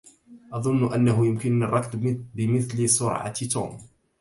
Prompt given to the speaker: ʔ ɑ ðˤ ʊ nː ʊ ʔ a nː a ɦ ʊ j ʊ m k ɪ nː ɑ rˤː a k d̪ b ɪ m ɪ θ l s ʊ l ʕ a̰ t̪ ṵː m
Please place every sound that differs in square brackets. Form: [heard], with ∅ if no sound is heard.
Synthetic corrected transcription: ʔ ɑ ðˤ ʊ nː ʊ ʔ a nː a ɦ ʊ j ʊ m k ɪ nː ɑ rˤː [ɑ] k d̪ b ɪ m ɪ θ l s ʊ [ɾ] ʕ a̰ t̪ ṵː m